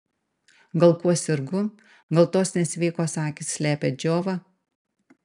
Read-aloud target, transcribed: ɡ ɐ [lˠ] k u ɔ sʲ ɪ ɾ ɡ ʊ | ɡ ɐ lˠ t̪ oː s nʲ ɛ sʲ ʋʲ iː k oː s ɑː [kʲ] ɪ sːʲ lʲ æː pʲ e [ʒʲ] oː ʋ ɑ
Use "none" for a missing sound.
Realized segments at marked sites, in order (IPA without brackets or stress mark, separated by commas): lˠ, kʲ, d͡ʒʲ